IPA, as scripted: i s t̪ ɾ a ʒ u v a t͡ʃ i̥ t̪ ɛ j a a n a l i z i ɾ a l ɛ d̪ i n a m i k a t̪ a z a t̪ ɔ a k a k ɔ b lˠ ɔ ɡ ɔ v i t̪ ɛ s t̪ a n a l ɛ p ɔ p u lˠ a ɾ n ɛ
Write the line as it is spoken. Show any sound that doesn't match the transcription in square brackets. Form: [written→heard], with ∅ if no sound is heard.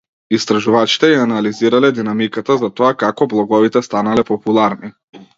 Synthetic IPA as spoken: i s t̪ ɾ a ʒ u v a t͡ʃ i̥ t̪ ɛ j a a n a l i z i ɾ a l ɛ d̪ i n a m i k a t̪ a z a t̪ ɔ a k a k ɔ b lˠ ɔ ɡ ɔ v i t̪ ɛ s t̪ a n a l ɛ p ɔ p u lˠ a ɾ n [ɛ→i]

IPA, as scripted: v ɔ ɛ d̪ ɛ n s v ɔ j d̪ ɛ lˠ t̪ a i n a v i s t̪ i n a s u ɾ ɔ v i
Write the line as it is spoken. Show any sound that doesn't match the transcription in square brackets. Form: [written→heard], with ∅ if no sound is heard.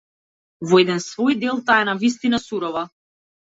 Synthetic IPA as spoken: v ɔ ɛ d̪ ɛ n s v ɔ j d̪ ɛ lˠ t̪ a [i→ɛ] n a v i s t̪ i n a s u ɾ ɔ v [i→a]

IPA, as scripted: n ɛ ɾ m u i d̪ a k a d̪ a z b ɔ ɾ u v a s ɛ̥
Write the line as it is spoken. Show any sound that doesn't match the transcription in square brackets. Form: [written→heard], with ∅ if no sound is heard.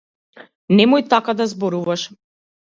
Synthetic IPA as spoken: n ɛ [ɾ→∅] m u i [d̪→t̪] a k a d̪ a z b ɔ ɾ u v a [s→ʃ] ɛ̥

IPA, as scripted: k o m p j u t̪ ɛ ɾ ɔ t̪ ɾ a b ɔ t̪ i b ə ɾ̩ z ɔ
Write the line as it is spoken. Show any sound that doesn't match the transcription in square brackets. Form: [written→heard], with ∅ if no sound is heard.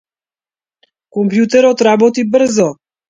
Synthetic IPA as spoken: k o m p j u t̪ ɛ ɾ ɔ t̪ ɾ a b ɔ t̪ i b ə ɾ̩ z ɔ

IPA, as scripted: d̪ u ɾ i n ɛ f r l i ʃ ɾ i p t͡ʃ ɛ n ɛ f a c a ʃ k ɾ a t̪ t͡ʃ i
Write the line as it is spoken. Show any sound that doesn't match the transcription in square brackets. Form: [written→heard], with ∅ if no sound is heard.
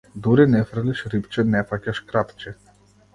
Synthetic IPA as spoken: d̪ u ɾ i n ɛ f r l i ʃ ɾ i p t͡ʃ ɛ n ɛ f a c a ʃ k ɾ a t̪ t͡ʃ [i→ɛ]

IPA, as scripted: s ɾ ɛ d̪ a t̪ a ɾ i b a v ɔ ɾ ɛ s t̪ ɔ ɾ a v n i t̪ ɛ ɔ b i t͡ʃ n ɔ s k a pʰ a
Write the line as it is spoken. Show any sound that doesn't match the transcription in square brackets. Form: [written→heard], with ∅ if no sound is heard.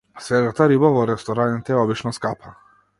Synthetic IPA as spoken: s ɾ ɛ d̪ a t̪ a ɾ i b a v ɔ ɾ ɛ s t̪ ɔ ɾ a [v→∅] n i t̪ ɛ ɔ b i t͡ʃ n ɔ s k a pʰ a

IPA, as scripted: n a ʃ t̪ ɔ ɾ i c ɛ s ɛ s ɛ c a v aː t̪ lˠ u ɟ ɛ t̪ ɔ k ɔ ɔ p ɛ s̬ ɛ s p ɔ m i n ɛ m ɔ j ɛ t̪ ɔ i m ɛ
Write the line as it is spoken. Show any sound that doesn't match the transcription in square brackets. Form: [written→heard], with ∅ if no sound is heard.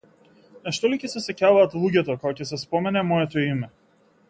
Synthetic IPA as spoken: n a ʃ t̪ ɔ [ɾ→l] i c ɛ s ɛ s ɛ c a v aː t̪ lˠ u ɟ ɛ t̪ ɔ k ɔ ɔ [p→c] ɛ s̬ ɛ s p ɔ m [i→ɛ] n ɛ m ɔ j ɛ t̪ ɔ i m ɛ

